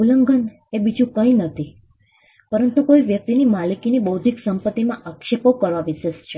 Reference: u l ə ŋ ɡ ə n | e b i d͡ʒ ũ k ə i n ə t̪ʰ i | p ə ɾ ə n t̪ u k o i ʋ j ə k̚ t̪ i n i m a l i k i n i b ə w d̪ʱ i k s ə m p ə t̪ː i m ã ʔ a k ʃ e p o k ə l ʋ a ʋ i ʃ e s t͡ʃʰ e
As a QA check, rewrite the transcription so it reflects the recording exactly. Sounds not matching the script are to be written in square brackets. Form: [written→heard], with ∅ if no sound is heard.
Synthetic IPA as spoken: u l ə ŋ ɡ ə n | e b i d͡ʒ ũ k ə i n ə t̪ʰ i | p ə ɾ ə n t̪ u k o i ʋ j ə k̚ t̪ i n i m a l i k i n i b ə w d̪ʱ i k s ə m p ə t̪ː i m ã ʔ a k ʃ e p o k ə [l→ɾ] ʋ a ʋ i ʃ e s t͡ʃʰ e

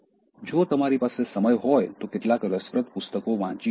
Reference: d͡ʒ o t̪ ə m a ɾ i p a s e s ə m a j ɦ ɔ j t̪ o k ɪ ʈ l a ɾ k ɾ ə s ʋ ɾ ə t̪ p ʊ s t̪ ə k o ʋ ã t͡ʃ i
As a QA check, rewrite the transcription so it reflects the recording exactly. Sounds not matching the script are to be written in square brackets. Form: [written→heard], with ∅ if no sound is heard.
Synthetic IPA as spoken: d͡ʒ o t̪ ə m a ɾ i p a s e s ə m [a→ə] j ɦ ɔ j t̪ o k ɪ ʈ l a [ɾ→∅] k ɾ ə s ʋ ɾ ə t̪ p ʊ s t̪ ə k o ʋ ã t͡ʃ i

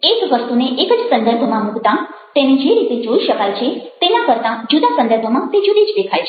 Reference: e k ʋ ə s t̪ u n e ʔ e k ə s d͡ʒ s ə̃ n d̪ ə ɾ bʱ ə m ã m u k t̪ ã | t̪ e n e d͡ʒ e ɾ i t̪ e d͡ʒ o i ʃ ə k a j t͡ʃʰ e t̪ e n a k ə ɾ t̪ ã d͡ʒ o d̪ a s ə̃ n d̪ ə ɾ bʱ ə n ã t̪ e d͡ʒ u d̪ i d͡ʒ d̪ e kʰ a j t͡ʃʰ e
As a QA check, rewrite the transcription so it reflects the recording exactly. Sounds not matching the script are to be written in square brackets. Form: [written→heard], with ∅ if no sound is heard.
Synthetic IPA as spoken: e k ʋ ə s t̪ u n e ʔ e k ə [s→∅] d͡ʒ s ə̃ n d̪ ə ɾ bʱ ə m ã m u k t̪ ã | t̪ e n e d͡ʒ e ɾ i t̪ e d͡ʒ o i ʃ ə k a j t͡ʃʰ e t̪ e n a k ə ɾ t̪ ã d͡ʒ [o→u] d̪ a s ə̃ n d̪ ə ɾ bʱ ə [n→m] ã t̪ e d͡ʒ u d̪ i d͡ʒ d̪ e kʰ a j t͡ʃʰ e

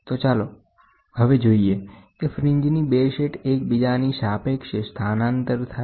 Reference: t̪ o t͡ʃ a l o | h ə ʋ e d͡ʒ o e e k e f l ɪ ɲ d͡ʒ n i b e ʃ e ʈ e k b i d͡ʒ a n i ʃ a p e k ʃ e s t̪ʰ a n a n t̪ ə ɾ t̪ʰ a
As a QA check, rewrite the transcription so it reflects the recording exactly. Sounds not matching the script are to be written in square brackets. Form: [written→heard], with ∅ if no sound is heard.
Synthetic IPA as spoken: t̪ o t͡ʃ a l o | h ə ʋ e d͡ʒ o [e→i] e k e f [l→ɾ] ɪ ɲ d͡ʒ n i b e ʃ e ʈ e k b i d͡ʒ a n i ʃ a p e k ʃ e s t̪ʰ a n a n t̪ ə ɾ t̪ʰ a

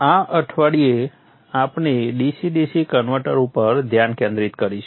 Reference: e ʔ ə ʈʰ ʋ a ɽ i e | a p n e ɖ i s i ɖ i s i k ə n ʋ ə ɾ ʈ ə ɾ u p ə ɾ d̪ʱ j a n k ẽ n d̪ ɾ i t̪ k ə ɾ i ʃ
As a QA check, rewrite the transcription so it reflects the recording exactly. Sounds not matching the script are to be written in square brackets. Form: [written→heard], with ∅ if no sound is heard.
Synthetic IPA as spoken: [e→a] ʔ ə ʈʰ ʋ a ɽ i e | a p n e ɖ i s i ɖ i s i k ə n ʋ ə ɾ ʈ ə ɾ u p ə ɾ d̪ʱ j a n k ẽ n d̪ ɾ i t̪ k ə ɾ i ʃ

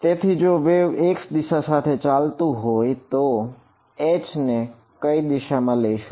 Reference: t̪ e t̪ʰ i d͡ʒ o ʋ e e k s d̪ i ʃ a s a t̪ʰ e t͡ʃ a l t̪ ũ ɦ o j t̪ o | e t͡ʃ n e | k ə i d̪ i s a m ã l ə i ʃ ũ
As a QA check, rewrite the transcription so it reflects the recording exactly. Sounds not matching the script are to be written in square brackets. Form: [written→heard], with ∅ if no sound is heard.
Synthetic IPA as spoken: t̪ e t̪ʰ i d͡ʒ o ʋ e e k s d̪ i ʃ a s a t̪ʰ e t͡ʃ a l t̪ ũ ɦ o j t̪ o | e t͡ʃ n e | k ə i d̪ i [s→ʃ] a m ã l ə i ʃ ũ

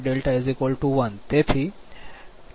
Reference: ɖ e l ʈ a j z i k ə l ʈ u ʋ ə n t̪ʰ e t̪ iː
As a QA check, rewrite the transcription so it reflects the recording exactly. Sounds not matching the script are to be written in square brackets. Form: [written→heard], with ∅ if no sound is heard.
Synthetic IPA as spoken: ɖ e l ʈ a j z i k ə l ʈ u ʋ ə n [t̪ʰ→t̪] e [t̪→t̪ʰ] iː

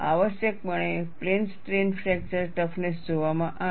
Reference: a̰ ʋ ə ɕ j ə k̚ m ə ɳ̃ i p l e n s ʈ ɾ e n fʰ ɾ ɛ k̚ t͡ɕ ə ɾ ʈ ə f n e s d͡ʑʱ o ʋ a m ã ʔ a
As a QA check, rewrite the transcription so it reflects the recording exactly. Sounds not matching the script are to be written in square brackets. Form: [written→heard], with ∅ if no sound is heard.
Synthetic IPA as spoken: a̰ ʋ ə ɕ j ə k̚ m ə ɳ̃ [i→e] p l e n s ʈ ɾ e n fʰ ɾ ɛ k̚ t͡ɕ ə ɾ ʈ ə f n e s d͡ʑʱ o ʋ a m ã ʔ a

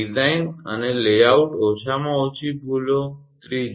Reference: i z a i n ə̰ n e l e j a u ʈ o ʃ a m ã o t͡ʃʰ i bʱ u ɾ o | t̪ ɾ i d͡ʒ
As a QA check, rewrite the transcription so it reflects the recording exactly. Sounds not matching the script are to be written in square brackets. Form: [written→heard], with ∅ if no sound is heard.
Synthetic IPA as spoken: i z a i n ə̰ n e l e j a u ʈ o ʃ a m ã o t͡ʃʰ i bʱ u [ɾ→l] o | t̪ ɾ i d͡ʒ

